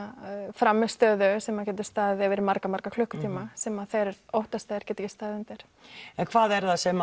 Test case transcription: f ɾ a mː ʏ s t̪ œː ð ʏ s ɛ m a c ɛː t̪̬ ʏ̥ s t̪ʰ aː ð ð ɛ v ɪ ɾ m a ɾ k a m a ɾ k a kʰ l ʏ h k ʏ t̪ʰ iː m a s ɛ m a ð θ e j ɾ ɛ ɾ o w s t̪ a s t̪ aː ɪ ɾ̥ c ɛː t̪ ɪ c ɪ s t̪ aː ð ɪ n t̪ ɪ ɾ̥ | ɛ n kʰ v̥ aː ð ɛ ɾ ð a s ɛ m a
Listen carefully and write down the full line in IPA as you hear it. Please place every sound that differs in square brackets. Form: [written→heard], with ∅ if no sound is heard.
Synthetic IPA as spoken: f ɾ a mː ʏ s t̪ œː ð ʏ s ɛ m a c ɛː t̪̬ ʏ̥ s [t̪ʰ→t̪] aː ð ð ɛ v ɪ ɾ m a ɾ k a m a ɾ k a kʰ l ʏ h k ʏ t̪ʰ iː m a s ɛ m a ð θ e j ɾ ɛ ɾ o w [s→h] t̪ a s t̪ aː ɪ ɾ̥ c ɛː t̪ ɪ c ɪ s t̪ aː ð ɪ n t̪ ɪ ɾ̥ | ɛ n kʰ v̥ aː ð ɛ ɾ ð a s ɛ m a